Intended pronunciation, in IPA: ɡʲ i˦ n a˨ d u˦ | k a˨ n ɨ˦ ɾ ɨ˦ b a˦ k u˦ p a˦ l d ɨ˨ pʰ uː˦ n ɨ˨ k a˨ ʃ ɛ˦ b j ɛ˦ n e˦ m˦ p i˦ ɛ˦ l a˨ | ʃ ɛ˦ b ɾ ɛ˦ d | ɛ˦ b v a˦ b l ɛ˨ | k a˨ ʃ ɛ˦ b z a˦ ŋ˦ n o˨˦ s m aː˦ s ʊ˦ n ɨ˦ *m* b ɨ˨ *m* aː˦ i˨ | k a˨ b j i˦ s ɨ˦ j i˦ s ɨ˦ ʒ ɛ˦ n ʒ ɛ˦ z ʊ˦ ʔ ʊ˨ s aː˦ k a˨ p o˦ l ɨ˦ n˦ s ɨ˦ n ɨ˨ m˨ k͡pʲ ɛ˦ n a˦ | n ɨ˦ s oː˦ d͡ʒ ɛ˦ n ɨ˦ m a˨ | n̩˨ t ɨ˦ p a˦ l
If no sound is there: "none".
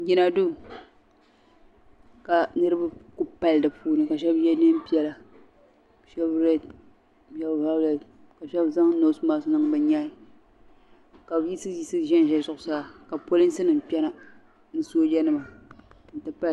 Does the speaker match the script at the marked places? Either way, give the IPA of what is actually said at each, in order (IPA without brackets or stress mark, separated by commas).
ŋ, ɲ